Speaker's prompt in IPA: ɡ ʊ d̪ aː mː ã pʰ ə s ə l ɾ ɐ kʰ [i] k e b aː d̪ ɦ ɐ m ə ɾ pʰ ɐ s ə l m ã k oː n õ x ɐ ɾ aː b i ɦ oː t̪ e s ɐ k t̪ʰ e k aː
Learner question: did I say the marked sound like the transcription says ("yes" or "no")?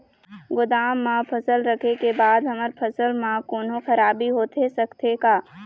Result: no